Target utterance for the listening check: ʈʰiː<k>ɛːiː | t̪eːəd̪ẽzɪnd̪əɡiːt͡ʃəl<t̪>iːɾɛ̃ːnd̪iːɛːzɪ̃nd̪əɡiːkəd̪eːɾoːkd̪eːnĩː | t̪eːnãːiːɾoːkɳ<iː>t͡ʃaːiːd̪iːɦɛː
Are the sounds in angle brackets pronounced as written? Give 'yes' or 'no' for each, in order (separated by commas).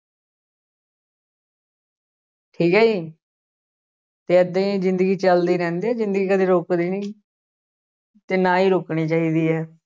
yes, no, yes